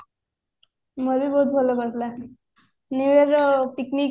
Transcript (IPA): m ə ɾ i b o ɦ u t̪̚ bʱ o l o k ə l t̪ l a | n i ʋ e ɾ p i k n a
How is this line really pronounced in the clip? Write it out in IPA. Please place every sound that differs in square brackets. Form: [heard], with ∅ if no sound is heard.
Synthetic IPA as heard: m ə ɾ i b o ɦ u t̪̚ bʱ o l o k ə [ɾ] t̪ l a | n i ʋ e ɾ p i k n [i]